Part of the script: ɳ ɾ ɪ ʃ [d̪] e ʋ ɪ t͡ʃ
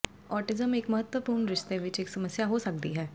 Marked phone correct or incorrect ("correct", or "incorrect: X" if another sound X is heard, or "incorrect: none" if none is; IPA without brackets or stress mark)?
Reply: incorrect: t̪